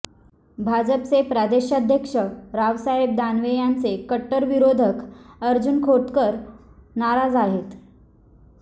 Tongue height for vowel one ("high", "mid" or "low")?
low